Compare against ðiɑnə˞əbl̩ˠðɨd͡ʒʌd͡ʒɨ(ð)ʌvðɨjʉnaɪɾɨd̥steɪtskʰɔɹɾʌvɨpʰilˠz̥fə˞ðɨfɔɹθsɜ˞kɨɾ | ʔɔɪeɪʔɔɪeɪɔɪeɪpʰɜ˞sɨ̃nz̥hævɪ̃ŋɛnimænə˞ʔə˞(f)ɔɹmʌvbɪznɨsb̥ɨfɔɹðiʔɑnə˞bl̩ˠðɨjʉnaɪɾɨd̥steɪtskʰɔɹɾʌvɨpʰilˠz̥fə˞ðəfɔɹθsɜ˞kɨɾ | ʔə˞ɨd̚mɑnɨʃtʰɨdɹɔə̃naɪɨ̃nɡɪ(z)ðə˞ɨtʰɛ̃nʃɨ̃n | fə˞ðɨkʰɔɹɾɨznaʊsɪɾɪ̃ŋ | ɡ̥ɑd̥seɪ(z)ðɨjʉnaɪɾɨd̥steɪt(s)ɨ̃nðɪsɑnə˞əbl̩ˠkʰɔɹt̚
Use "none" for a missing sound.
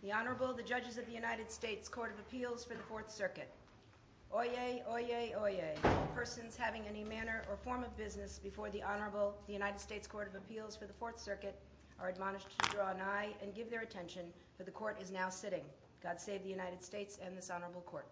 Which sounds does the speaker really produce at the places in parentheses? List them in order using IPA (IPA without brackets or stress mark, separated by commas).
z, f, v, v, s